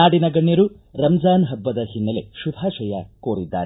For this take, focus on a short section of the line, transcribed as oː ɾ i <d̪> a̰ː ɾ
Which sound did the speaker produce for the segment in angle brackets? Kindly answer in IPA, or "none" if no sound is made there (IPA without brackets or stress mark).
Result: d̪ː